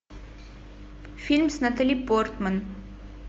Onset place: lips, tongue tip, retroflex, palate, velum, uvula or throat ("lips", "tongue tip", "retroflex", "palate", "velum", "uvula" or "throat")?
lips